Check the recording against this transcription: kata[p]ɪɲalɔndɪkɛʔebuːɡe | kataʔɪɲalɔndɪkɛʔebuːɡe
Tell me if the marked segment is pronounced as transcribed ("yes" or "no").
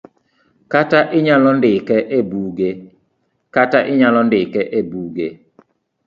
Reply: no